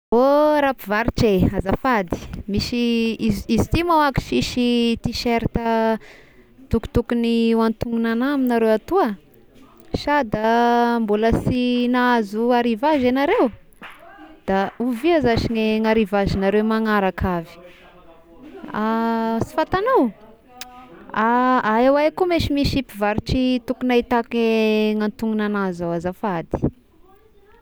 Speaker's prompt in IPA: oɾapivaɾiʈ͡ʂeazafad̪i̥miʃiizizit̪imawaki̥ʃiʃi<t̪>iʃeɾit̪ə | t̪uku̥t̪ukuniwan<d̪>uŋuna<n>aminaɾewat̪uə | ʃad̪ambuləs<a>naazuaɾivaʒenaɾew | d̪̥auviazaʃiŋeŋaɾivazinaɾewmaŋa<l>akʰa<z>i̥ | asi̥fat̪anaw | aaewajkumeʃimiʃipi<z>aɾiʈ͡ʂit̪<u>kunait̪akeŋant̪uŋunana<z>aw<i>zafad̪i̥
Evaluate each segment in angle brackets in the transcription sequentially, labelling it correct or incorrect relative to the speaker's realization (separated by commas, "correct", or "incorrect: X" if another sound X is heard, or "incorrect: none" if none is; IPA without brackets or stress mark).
correct, incorrect: t̪, correct, incorrect: i, incorrect: ɾ, incorrect: v, incorrect: v, correct, correct, incorrect: a